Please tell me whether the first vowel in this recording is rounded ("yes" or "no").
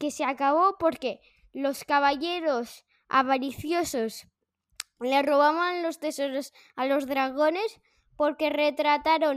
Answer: no